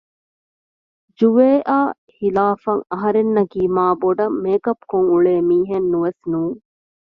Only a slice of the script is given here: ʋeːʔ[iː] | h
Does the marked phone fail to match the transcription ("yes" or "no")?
yes